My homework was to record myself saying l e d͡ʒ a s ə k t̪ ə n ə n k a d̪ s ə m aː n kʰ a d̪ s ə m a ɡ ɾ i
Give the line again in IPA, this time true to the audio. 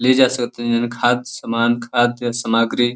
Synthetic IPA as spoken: l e d͡ʒ a s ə k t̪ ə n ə n kʰ a d̪ s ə m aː n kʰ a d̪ s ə m a ɡ ɾ i